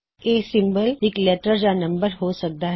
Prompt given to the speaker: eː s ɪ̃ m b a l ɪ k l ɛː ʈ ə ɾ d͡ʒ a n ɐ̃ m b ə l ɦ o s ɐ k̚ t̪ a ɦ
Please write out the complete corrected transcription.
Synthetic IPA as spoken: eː s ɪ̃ m b ə l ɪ k l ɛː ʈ ə ɾ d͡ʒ a n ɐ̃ m b ə ɾ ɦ o s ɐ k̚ d̪ a ɦ